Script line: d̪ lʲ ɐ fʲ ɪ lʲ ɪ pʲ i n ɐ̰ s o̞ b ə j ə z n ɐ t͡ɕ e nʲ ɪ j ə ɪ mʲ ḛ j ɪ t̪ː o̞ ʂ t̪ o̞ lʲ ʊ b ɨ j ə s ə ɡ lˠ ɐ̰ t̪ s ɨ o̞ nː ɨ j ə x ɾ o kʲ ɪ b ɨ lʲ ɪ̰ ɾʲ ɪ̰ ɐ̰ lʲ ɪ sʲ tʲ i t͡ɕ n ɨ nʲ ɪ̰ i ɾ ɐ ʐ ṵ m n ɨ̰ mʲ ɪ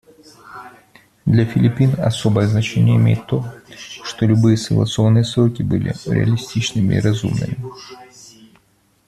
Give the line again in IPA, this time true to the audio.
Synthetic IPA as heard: d̪ lʲ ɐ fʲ ɪ lʲ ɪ pʲ i n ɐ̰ s o̞ b ə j ə z n ɐ t͡ɕ e nʲ ɪ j ə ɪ mʲ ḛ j ɪ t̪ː o̞ ʂ t̪ o̞ lʲ ʊ b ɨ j ə s ə ɡ lˠ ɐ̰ t̪ s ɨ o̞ nː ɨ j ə s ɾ o kʲ ɪ b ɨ lʲ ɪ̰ ɾʲ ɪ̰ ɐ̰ lʲ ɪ sʲ tʲ i t͡ɕ n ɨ mʲ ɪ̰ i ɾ ɐ z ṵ m n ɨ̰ mʲ ɪ